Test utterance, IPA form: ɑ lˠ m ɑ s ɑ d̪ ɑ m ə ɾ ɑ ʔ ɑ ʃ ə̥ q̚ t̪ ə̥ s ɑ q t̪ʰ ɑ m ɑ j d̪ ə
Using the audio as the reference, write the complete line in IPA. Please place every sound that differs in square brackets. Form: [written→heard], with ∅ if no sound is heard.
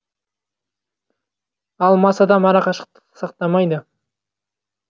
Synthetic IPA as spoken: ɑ lˠ m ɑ s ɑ d̪ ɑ m [ə→ɑ] ɾ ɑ [ʔ→q] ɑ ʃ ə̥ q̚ t̪ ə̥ s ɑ q [t̪ʰ→t̪] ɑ m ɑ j d̪ ə

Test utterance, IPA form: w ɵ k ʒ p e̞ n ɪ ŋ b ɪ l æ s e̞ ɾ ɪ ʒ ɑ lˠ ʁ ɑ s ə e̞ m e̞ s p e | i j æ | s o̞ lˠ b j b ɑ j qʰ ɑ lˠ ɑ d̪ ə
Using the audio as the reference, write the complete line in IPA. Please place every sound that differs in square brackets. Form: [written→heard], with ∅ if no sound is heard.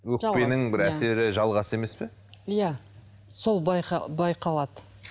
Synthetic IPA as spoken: w ɵ k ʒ p e̞ n ɪ ŋ b ɪ [l→ɾ] æ s e̞ ɾ ɪ ʒ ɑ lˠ ʁ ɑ s ə e̞ m e̞ s p e | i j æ | s o̞ lˠ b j b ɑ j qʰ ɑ lˠ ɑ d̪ ə

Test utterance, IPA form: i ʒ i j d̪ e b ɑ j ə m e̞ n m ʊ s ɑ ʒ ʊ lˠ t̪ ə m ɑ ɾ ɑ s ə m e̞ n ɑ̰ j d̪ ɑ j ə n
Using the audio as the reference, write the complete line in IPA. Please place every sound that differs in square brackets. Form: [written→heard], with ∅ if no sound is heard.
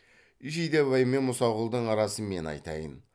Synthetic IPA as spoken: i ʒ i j d̪ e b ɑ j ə m e̞ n m ʊ s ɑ [ʒ→ʁ] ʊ lˠ [t̪→d̪] ə [m→ɴ] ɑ ɾ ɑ s ə m e̞ n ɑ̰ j [d̪→t̪] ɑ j ə n

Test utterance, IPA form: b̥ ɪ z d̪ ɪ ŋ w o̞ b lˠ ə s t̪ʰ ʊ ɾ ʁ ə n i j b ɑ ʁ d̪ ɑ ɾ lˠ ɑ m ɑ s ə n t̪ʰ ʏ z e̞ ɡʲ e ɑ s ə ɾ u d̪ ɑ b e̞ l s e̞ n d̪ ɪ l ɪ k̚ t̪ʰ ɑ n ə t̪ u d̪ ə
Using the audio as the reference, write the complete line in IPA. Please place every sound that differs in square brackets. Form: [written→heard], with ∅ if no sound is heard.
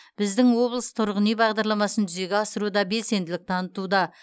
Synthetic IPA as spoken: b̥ ɪ z d̪ ɪ ŋ w o̞ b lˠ ə s t̪ʰ ʊ ɾ ʁ ə n i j b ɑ ʁ d̪ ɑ ɾ lˠ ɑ m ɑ s ə n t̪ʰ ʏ z e̞ ɡʲ e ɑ s ə ɾ u d̪ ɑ b e̞ l s e̞ n d̪ ɪ l ɪ k̚ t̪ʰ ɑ n ə t̪ u d̪ [ə→ɑ]

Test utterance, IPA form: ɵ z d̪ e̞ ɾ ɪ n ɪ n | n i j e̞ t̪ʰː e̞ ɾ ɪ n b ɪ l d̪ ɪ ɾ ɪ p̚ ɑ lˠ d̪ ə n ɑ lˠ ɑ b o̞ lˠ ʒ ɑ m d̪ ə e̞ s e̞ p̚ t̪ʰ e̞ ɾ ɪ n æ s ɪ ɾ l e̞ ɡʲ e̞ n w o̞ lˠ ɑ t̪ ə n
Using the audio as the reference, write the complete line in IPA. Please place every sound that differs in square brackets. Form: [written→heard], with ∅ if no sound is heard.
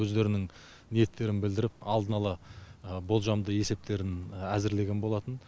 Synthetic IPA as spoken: ɵ z d̪ e̞ ɾ ɪ n ɪ [n→ŋ] | n i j e̞ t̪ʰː e̞ ɾ ɪ n b ɪ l d̪ ɪ ɾ ɪ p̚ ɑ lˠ d̪ ə n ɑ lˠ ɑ b o̞ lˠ ʒ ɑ m d̪ ə e̞ s e̞ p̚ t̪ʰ e̞ ɾ ɪ n æ [s→z] ɪ ɾ l e̞ ɡʲ e̞ n [w→b] o̞ lˠ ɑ t̪ ə n

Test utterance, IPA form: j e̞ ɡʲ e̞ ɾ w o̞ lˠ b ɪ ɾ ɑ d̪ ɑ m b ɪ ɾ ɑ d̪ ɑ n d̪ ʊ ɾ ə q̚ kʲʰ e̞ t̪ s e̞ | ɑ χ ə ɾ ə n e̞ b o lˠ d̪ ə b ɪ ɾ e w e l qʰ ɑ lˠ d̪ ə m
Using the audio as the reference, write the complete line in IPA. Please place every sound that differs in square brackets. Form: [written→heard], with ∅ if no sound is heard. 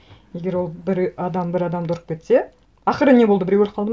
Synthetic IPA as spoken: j e̞ ɡʲ e̞ ɾ w o̞ lˠ b ɪ ɾ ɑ d̪ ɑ m b ɪ ɾ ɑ d̪ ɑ [n→m] d̪ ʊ ɾ ə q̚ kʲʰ e̞ t̪ s e̞ | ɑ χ ə ɾ ə n e̞ b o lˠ d̪ ə b ɪ ɾ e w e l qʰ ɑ lˠ d̪ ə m

